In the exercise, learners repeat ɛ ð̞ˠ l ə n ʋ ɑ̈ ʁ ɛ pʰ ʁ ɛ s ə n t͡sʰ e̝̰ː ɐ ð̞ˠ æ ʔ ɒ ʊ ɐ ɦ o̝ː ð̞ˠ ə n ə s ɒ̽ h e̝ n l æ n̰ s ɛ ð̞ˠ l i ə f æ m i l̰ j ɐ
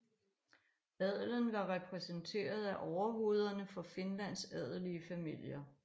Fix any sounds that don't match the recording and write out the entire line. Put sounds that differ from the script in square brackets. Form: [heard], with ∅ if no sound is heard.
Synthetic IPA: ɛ ð̞ˠ l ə n ʋ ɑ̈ ʁ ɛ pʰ ʁ ɛ s ə n t͡sʰ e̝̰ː ɐ ð̞ˠ æ ʔ ɒ ʊ ɐ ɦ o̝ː ð̞ˠ [ɐ] n ə [f] ɒ̽ [f] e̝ n l æ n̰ s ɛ ð̞ˠ l i ə f æ m i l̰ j ɐ